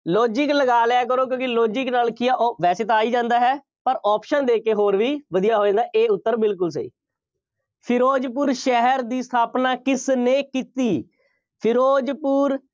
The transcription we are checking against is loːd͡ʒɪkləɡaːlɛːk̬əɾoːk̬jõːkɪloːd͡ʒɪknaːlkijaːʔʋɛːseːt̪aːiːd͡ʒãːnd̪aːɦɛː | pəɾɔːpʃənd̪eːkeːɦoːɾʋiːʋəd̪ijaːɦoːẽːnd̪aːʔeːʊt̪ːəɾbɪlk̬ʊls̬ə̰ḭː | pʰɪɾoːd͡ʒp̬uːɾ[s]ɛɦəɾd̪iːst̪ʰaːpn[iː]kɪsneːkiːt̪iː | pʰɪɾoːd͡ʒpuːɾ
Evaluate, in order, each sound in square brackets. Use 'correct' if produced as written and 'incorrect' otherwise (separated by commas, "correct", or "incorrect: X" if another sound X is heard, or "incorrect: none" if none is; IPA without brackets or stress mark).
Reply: incorrect: ʃ, incorrect: aː